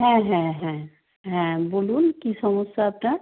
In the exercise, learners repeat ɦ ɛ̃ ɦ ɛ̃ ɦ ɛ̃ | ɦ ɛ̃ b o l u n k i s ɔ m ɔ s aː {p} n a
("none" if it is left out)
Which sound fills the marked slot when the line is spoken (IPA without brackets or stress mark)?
p